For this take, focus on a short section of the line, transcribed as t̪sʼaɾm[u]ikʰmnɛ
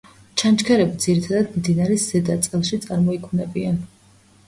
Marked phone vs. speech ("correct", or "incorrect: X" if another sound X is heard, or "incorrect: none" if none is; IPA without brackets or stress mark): incorrect: ɔ